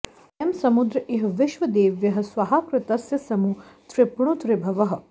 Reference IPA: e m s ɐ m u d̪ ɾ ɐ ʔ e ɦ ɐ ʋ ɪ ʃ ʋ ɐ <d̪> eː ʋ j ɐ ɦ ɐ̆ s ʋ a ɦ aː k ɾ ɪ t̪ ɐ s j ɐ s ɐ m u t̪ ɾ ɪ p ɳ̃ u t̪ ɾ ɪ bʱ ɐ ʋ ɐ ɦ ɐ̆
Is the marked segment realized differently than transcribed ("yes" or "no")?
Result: no